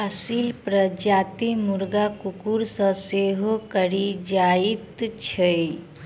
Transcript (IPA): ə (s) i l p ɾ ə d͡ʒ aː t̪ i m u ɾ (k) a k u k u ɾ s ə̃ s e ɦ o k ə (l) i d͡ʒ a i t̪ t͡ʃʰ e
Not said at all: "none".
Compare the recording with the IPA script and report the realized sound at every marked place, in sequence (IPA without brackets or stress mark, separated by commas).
s, ɡ, ɾ